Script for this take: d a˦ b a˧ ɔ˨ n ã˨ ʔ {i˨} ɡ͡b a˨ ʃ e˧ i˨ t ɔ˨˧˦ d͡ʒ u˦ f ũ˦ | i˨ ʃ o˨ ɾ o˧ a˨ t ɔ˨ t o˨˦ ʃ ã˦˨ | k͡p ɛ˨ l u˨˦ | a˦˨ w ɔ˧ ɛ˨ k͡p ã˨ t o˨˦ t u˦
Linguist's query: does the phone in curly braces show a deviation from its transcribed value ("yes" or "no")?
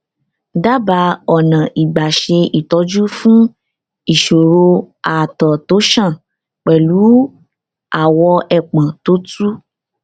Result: no